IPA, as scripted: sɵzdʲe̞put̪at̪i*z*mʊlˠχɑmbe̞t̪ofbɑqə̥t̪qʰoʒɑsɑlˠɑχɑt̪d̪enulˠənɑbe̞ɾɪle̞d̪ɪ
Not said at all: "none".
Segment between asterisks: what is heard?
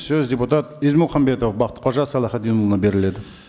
z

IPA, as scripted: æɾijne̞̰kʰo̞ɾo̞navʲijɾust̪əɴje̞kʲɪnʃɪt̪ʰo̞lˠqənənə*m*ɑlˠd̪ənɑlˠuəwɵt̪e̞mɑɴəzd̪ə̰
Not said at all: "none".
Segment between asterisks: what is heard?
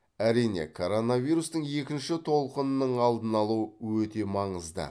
ɴ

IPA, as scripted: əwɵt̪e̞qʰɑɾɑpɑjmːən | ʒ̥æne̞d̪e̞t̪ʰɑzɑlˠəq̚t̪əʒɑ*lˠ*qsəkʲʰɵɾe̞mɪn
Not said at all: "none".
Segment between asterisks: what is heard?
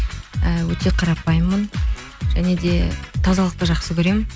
none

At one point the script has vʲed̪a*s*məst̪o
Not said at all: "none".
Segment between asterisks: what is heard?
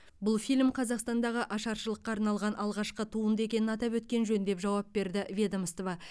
none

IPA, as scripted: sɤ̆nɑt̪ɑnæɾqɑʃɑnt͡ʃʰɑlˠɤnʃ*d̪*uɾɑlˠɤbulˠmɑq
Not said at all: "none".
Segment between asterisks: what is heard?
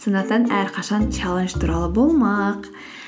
t̪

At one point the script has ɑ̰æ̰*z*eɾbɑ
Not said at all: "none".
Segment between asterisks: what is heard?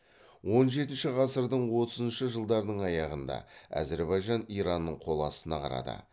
z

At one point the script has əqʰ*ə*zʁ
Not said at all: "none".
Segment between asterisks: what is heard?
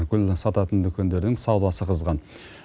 ə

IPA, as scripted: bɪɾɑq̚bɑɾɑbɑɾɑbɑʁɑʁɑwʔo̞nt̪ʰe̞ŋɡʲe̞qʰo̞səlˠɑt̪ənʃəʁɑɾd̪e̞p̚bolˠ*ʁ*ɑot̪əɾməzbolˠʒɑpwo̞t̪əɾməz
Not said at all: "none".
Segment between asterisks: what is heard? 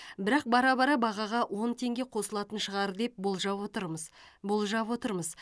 ʒ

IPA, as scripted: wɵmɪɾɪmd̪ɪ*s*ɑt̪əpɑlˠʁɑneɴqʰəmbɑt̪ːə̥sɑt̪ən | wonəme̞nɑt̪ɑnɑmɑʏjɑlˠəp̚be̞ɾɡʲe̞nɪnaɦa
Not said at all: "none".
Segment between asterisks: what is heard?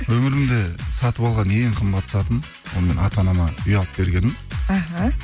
s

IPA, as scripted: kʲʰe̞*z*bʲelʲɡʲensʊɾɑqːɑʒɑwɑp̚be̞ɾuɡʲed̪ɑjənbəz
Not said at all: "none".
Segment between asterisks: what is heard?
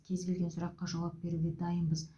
z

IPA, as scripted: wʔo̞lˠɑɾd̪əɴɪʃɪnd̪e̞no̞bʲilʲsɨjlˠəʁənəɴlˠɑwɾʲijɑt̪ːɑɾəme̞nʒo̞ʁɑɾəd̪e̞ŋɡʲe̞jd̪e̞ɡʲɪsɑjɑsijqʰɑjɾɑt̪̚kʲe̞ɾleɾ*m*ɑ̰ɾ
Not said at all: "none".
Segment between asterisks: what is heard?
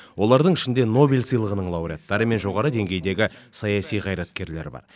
b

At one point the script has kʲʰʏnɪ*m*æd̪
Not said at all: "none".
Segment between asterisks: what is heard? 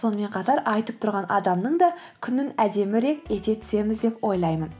n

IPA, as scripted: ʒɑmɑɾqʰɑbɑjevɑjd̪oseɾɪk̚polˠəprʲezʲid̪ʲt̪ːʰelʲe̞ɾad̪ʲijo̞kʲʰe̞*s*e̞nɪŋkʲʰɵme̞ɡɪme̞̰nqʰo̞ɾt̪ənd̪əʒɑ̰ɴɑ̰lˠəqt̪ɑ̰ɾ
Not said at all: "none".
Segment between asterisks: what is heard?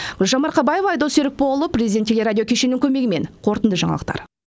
ʃ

